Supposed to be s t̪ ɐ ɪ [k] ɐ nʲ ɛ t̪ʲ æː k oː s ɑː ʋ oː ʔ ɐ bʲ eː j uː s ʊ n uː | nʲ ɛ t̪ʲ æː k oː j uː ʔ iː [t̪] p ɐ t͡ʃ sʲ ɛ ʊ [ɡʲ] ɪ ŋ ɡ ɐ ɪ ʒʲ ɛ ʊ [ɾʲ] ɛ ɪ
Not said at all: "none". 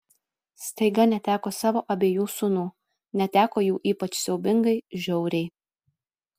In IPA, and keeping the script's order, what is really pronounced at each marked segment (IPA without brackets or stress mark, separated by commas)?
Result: ɡ, none, bʲ, ɾʲ